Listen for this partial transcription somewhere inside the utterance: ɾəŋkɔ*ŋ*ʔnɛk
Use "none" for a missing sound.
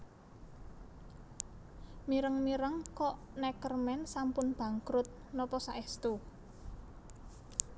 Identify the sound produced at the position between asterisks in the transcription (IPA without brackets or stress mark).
none